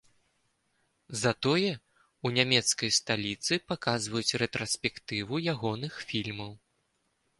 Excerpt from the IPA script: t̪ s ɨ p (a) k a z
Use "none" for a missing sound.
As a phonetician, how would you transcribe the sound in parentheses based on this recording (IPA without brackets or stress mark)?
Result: a